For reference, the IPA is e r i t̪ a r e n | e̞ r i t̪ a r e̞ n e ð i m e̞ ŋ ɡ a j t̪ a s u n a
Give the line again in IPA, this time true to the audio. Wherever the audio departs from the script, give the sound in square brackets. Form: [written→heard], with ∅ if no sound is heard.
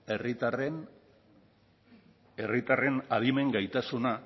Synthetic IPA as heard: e r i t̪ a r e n | e̞ r i t̪ a r e̞ n [e→a] ð i m e̞ ŋ ɡ a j t̪ a s u n a